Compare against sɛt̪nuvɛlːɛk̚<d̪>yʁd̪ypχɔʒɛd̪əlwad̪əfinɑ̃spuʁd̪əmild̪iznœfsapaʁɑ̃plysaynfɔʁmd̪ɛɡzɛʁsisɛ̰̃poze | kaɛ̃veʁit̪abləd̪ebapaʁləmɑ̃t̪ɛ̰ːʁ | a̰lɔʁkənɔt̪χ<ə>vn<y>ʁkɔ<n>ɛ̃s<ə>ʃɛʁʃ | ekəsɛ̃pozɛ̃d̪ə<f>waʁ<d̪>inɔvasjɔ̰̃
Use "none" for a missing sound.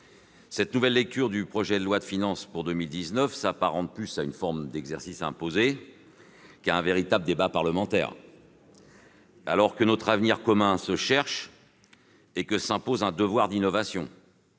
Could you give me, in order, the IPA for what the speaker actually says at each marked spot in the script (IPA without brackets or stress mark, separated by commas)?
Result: t̪, a, i, m, ə, v, d̪